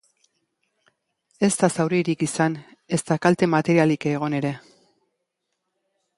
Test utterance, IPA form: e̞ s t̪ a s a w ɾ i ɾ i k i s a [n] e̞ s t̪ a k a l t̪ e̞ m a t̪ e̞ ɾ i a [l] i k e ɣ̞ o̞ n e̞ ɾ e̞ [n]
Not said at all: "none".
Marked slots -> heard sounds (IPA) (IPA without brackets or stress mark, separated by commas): n, l, none